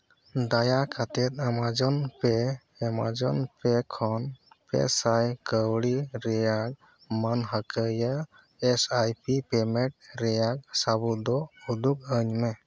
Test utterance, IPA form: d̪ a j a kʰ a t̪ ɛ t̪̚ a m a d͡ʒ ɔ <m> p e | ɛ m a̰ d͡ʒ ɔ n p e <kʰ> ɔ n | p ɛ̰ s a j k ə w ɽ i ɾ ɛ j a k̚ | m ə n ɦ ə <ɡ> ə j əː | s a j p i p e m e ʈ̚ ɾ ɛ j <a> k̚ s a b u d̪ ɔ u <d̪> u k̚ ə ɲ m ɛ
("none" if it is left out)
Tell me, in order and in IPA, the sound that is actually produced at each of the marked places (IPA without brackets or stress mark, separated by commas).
n, kʰ, k, a, d̪